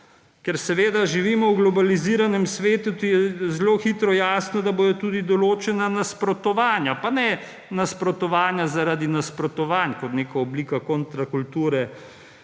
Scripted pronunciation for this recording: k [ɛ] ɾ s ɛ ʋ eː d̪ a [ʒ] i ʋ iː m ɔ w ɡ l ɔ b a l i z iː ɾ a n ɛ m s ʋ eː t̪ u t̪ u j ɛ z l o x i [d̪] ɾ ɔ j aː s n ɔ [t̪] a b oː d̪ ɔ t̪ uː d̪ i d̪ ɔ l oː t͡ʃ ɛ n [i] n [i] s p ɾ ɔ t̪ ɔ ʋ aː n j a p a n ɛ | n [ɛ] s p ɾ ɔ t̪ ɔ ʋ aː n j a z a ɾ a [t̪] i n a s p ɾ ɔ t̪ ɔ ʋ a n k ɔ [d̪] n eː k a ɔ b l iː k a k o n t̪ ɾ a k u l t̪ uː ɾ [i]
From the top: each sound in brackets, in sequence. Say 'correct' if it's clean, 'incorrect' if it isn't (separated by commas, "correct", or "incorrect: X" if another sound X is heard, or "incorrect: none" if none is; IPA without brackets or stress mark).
correct, correct, incorrect: t̪, incorrect: d̪, incorrect: a, incorrect: a, incorrect: a, incorrect: d̪, incorrect: t̪, incorrect: ɛ